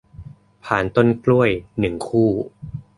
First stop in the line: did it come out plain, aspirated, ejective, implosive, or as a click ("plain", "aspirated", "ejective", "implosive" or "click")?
aspirated